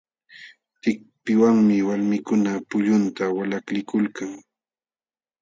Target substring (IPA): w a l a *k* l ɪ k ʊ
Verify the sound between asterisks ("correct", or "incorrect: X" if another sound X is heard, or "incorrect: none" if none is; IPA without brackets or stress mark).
correct